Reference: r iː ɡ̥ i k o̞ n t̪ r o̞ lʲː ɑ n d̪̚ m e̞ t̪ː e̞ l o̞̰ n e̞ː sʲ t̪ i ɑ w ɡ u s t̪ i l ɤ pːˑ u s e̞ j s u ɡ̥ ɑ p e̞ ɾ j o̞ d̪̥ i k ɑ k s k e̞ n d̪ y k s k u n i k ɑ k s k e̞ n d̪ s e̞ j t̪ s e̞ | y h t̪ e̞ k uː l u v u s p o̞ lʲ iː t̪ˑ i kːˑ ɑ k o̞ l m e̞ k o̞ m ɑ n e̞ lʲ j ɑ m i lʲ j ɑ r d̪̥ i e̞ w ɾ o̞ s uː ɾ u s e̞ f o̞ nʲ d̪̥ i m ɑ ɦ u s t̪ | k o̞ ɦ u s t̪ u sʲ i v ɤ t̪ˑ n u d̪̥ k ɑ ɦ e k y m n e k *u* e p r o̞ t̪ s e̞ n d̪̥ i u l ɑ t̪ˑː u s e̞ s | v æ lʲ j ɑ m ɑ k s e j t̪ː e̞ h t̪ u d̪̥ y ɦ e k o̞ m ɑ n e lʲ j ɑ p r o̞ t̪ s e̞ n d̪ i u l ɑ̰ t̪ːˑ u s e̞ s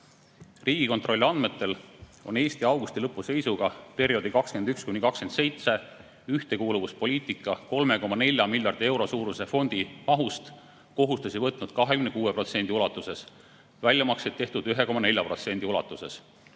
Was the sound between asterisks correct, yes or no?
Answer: no